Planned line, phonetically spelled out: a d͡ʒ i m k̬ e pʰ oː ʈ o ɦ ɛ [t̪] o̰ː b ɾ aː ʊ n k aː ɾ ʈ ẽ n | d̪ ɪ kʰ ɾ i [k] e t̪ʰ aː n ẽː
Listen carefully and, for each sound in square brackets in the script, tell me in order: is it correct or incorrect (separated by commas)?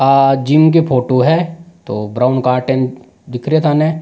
correct, incorrect